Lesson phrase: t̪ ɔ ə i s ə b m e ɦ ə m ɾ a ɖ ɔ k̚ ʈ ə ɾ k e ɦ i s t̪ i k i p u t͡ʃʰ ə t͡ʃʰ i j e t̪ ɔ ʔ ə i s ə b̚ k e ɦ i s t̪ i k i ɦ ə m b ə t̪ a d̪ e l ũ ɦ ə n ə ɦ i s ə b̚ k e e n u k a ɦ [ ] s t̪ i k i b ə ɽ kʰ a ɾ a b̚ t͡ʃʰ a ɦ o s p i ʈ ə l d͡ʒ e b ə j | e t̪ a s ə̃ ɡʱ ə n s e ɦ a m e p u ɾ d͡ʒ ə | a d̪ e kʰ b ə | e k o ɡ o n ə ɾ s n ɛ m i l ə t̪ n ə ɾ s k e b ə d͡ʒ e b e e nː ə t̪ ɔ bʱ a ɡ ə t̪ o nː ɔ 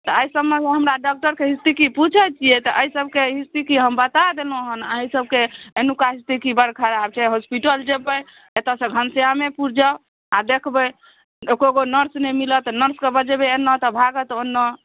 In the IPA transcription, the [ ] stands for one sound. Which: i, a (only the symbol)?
i